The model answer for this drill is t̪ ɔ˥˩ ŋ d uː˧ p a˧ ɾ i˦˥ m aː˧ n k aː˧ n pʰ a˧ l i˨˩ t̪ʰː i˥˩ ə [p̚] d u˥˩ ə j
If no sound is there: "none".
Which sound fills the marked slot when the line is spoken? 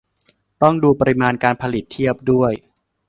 p̚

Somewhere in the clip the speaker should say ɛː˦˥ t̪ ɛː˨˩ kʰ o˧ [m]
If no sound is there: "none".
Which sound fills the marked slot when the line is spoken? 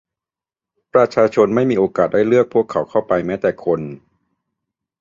n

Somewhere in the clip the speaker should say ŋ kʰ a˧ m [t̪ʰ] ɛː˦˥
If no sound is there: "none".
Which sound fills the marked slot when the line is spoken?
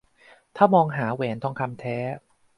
t̪ʰ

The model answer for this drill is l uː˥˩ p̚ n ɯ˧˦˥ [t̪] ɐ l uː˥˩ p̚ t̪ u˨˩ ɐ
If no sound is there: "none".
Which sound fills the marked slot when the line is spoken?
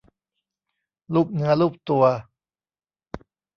none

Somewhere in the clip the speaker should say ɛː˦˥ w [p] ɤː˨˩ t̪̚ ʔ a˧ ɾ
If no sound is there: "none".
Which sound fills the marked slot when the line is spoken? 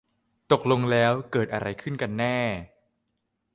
k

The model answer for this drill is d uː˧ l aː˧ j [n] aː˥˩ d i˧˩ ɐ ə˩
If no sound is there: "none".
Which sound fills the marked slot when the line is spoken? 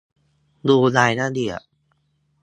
n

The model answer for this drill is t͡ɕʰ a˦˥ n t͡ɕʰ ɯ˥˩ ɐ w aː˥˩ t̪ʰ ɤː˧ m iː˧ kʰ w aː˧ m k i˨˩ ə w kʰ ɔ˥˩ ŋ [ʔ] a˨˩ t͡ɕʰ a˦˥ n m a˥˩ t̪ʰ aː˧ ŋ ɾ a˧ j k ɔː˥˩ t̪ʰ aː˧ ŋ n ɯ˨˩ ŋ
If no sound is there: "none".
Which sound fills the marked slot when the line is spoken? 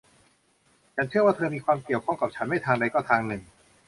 k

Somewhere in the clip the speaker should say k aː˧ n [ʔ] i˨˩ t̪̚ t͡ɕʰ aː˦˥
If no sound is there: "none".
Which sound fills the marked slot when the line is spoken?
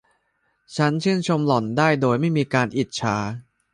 ʔ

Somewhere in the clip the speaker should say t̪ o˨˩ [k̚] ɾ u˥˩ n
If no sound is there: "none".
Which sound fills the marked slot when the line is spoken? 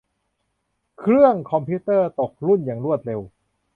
k̚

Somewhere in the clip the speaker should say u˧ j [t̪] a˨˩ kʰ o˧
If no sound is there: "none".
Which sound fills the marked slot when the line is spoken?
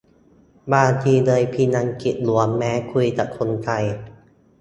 t̪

